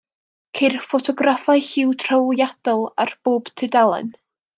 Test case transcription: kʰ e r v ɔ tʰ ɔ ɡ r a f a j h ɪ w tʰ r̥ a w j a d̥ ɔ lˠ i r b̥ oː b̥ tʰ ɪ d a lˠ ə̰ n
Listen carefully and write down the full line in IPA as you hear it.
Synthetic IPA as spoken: kʰ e r f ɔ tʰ ɔ ɡ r a f a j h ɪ w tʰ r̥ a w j a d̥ ɔ lˠ a r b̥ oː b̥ tʰ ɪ d a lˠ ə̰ n